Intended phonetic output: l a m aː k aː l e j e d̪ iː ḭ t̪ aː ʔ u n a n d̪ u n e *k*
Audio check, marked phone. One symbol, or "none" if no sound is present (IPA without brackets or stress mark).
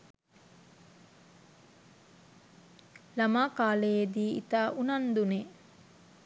none